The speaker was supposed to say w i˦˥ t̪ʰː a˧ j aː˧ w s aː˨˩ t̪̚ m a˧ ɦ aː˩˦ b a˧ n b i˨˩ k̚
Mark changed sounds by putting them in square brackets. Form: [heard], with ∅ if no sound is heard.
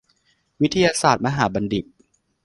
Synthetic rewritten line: w i˦˥ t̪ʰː a˧ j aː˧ [∅] s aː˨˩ t̪̚ m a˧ ɦ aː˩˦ b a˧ n [d] i˨˩ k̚